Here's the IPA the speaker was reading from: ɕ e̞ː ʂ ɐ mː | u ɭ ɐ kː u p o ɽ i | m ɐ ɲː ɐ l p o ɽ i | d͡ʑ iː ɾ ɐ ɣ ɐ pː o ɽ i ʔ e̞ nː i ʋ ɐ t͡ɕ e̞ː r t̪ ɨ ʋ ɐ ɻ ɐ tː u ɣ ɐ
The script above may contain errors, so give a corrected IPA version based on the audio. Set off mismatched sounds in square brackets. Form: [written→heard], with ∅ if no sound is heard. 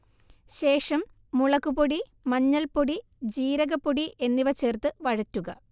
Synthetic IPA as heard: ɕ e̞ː ʂ ɐ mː | u ɭ ɐ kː u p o ɽ i | m ɐ ɲː ɐ l p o ɽ i | d͡ʑ iː ɾ ɐ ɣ ɐ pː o ɽ i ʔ e̞ nː i ʋ ɐ t͡ɕ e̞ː r t̪ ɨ ʋ ɐ ɻ ɐ tː u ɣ ɐ